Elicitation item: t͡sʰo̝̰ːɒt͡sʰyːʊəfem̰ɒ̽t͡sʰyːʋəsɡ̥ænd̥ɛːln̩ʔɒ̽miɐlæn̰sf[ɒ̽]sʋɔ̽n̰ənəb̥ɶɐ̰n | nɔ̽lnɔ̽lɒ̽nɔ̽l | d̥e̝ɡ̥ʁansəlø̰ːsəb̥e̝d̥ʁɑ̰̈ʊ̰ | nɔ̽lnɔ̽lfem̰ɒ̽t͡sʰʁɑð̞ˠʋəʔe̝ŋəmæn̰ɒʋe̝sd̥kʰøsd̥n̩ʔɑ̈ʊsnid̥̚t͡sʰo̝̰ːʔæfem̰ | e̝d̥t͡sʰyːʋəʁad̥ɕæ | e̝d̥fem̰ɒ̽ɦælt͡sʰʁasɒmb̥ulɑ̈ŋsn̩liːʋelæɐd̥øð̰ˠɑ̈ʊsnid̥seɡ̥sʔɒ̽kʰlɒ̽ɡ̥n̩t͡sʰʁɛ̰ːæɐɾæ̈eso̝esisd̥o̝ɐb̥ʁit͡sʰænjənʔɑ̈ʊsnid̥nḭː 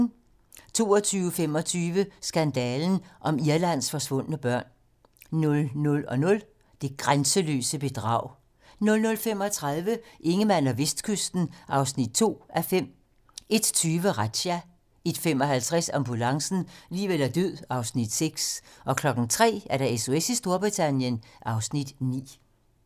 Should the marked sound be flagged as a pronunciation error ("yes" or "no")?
no